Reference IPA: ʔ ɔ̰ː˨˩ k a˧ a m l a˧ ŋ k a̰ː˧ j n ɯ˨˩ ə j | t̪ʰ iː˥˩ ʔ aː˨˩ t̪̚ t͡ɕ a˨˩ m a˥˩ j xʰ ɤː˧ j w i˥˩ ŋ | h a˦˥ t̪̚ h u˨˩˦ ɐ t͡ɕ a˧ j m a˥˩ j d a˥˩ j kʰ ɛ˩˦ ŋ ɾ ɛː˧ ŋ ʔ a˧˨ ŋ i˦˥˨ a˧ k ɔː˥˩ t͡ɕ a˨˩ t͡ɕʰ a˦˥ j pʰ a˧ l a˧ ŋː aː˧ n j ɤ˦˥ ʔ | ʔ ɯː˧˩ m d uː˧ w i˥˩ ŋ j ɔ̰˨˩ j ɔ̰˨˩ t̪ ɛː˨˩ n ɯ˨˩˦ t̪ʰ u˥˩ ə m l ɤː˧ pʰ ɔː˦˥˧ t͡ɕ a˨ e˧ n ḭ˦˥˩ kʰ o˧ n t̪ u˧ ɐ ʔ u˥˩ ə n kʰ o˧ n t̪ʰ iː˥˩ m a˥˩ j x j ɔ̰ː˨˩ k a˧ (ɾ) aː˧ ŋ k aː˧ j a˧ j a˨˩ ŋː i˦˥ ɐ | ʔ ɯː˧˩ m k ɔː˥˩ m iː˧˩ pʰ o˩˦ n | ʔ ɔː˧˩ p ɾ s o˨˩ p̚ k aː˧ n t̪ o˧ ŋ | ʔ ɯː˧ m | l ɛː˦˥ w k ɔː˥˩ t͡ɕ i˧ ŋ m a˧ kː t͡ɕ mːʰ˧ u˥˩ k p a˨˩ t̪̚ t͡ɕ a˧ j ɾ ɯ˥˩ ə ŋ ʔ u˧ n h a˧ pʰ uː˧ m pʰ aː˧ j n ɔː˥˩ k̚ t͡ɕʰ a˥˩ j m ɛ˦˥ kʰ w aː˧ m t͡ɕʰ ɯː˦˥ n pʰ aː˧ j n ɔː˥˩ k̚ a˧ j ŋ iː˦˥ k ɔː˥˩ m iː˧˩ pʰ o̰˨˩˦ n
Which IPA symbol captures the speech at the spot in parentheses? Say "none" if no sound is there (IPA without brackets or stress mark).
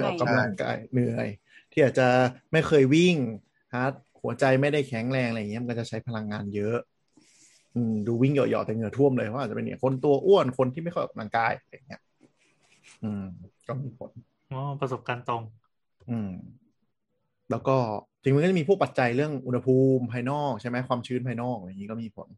l